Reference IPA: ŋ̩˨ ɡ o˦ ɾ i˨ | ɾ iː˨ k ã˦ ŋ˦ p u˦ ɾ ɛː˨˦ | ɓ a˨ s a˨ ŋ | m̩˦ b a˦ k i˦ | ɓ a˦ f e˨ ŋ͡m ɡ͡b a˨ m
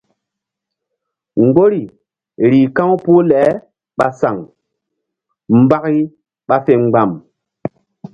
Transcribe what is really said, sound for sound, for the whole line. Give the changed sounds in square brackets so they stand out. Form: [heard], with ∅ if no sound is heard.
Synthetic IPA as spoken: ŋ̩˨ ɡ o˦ ɾ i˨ | ɾ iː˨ k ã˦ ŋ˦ p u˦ [l] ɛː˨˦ | ɓ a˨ s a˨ ŋ | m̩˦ b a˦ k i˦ | ɓ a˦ f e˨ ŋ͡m ɡ͡b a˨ m

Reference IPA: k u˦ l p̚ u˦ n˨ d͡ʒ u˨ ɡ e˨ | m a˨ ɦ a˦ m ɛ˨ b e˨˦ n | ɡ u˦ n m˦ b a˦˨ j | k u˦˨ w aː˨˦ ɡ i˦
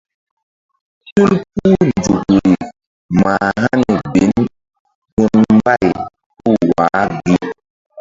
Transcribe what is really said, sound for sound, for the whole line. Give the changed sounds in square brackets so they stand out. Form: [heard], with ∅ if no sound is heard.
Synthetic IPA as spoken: [t] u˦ l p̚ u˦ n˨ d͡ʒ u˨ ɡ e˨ | m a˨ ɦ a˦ [n] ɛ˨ b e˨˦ n | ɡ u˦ n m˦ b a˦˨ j | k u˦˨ w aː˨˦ ɡ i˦

